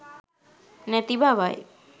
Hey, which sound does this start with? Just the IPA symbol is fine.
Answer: n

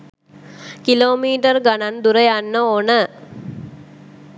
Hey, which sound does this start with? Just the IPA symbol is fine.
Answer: k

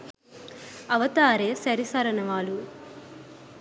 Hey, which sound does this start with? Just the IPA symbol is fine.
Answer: ɐ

